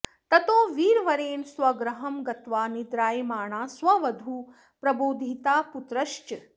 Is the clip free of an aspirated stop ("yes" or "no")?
yes